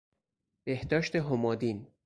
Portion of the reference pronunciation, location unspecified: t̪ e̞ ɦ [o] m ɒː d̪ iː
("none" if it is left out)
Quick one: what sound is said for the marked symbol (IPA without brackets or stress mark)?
o